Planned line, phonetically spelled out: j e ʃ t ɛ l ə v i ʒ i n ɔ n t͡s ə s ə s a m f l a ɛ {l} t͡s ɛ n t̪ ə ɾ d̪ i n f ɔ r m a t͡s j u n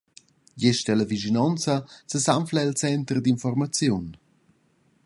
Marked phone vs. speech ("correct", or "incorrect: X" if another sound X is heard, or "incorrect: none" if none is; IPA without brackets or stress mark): correct